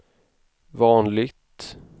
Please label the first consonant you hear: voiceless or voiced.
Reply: voiced